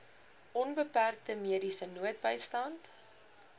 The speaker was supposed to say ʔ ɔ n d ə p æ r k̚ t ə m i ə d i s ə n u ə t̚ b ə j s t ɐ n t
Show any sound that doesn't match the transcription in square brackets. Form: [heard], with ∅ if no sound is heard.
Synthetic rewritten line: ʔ ɔ n [b] ə p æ r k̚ t ə m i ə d i s ə n u ə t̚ b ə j s t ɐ n t